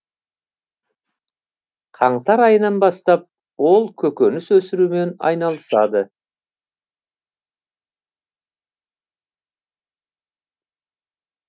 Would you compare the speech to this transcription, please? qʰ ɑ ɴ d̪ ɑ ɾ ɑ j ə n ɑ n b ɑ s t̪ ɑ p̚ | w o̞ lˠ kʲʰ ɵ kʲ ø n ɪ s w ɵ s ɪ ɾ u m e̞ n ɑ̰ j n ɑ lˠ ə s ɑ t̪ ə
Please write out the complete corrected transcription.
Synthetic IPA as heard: qʰ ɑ ɴ t̪ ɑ ɾ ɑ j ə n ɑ n b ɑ s t̪ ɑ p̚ | w o̞ lˠ kʲʰ ɵ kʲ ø n ɪ s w ɵ s ɪ ɾ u m e̞ n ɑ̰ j n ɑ lˠ ə s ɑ d̪ ə

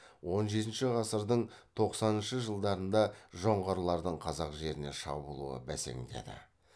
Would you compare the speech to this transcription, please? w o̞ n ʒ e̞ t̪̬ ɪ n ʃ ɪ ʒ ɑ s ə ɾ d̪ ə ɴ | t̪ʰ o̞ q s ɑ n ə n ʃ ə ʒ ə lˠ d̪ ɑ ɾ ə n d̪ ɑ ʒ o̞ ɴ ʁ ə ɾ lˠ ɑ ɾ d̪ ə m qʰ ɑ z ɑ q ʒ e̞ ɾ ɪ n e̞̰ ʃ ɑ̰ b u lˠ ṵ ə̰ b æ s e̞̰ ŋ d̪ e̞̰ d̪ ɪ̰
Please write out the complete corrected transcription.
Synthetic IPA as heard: w o̞ n ʒ e̞ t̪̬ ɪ n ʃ ɪ ʁ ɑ s ə ɾ d̪ ə ɴ | t̪ʰ o̞ q s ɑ n ə n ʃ ə ʒ ə lˠ d̪ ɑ ɾ ə n d̪ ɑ ʒ o̞ ɴ ʁ ɑ ɾ lˠ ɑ ɾ d̪ ə ɴ qʰ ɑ z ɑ q ʒ e̞ ɾ ɪ n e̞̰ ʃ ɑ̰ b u lˠ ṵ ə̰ b æ s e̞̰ ŋ d̪ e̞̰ d̪ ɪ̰

